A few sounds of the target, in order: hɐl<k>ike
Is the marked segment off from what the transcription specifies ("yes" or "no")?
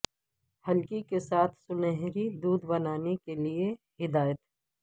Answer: no